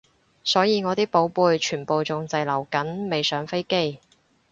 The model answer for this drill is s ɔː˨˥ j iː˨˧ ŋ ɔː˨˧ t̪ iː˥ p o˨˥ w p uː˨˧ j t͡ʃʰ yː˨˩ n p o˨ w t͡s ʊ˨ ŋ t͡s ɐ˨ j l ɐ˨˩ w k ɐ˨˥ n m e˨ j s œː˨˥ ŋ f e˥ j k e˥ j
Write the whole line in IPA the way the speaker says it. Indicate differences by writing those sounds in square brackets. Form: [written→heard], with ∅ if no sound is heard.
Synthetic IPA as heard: s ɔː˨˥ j iː˨˧ ŋ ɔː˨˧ t̪ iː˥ p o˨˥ w p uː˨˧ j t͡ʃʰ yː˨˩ n p o˨ w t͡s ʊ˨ ŋ t͡s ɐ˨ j l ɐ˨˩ w k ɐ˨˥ n m e˨ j s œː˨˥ ŋ f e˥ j k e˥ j